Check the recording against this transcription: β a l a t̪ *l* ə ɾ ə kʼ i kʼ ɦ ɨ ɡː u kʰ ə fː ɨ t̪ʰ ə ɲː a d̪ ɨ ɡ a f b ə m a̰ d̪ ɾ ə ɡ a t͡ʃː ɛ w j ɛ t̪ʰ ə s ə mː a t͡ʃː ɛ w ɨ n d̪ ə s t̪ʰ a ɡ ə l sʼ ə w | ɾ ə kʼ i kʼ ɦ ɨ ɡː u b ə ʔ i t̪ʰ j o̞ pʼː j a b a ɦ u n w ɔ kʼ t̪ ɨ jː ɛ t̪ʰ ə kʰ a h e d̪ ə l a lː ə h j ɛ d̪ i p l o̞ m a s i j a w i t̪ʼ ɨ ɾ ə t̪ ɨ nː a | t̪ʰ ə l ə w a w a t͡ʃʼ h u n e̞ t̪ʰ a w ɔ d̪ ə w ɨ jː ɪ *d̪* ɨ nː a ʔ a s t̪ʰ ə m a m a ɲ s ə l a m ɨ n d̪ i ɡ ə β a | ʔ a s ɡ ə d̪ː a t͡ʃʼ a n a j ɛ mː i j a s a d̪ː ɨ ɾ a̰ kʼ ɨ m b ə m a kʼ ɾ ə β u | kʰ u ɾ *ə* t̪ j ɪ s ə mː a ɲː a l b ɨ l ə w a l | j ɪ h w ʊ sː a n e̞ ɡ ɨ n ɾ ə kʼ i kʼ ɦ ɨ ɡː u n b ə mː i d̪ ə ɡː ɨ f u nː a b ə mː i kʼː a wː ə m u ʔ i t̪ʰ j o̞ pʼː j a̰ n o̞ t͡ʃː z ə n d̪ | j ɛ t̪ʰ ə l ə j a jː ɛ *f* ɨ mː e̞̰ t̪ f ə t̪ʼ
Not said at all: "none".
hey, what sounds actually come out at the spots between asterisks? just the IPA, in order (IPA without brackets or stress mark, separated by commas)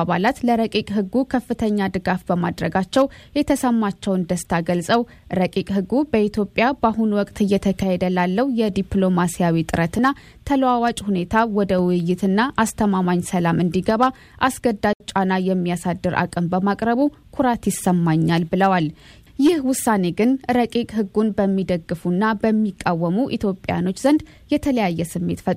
l, t̪, a, s